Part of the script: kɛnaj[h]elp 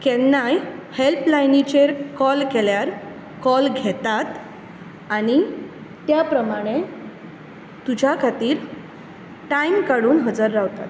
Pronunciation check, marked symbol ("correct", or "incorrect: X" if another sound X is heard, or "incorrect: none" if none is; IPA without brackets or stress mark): correct